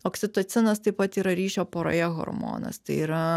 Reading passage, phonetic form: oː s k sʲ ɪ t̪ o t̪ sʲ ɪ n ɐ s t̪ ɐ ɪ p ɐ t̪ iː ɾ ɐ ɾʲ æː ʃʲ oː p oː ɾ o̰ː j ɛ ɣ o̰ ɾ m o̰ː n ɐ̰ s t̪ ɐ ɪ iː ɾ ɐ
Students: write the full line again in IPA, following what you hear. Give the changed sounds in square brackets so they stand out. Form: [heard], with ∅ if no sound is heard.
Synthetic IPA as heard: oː [∅] k sʲ ɪ t̪ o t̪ sʲ ɪ n ɐ s t̪ ɐ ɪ p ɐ t̪ iː ɾ ɐ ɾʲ [iː] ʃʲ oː p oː ɾ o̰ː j ɛ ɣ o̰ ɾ m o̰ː n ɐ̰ s t̪ ɐ ɪ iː ɾ ɐ